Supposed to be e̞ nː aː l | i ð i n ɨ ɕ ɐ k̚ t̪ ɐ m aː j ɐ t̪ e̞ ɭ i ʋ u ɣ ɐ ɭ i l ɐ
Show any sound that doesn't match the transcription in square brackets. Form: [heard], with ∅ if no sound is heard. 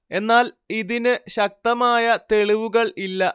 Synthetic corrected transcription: e̞ nː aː l | i ð i n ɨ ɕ ɐ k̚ t̪ ɐ m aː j ɐ t̪ e̞ ɭ i ʋ u ɣ ɐ ɭ i [lː] ɐ